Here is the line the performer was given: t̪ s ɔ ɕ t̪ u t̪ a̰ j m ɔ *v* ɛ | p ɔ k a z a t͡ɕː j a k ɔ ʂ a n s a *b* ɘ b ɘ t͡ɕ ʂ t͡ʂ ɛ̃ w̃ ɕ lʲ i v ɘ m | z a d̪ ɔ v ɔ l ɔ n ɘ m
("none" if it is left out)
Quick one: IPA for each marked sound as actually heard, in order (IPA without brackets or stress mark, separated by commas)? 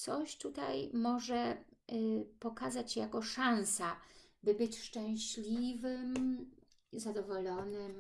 ʐ, b